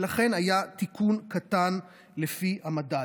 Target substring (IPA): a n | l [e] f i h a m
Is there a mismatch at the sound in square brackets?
no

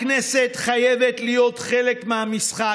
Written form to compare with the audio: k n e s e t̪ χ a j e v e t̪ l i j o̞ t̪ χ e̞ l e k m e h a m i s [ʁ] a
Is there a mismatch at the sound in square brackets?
yes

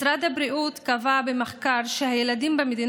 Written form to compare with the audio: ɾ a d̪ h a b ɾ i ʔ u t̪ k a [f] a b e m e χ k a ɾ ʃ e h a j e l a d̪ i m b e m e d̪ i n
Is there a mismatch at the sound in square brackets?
yes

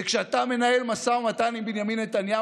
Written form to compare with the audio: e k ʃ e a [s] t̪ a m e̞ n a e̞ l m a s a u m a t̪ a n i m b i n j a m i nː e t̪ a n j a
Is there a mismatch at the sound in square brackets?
yes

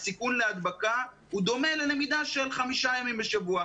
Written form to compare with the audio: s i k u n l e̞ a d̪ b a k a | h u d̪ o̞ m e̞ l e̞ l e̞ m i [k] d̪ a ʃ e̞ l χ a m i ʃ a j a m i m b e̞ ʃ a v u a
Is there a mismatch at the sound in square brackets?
yes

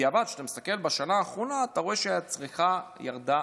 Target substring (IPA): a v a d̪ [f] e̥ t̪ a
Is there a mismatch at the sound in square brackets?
yes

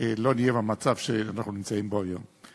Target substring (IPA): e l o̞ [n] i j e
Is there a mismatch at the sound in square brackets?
no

